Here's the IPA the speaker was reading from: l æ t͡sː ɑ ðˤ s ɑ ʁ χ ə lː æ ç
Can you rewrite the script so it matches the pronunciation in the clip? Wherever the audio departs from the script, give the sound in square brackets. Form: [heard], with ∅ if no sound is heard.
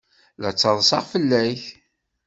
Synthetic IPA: l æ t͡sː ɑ ðˤ s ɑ ʁ [f] ə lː æ ç